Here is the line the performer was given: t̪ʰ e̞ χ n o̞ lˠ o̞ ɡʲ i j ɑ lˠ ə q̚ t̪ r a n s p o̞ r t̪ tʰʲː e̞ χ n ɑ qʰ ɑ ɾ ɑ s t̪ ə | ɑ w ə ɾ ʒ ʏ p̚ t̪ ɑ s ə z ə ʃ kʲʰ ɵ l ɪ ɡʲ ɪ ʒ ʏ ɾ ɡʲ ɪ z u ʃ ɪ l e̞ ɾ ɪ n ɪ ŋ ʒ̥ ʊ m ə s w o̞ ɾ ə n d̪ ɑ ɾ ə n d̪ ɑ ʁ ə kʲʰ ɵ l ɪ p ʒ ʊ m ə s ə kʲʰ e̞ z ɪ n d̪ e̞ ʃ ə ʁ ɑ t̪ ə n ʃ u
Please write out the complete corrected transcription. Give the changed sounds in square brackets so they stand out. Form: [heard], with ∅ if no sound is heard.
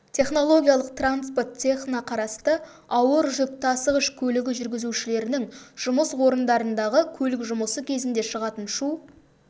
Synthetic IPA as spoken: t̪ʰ e̞ χ n o̞ lˠ o̞ ɡʲ i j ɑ lˠ ə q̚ t̪ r a n s p o̞ r t̪ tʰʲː e̞ χ n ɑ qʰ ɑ ɾ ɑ s t̪ ə | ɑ w ə ɾ ʒ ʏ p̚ t̪ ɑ s ə [ʁ] ə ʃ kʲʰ ɵ l ɪ ɡʲ ɪ ʒ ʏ ɾ ɡʲ ɪ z u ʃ ɪ l e̞ ɾ ɪ n ɪ ŋ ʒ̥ ʊ m ə s w o̞ ɾ ə n d̪ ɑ ɾ ə n d̪ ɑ ʁ ə kʲʰ ɵ l ɪ [k] ʒ ʊ m ə s ə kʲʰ e̞ z ɪ n d̪ e̞ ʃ ə ʁ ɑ t̪ ə n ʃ u